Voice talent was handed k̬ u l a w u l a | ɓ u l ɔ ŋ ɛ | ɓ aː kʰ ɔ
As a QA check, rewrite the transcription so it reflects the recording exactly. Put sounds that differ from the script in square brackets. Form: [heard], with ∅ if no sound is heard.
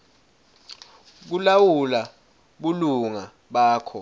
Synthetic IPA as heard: k̬ u l a w u l a | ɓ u l [u] ŋ [a] | ɓ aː kʰ ɔ